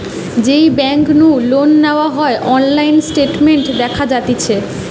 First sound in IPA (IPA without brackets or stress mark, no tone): d͡ʑ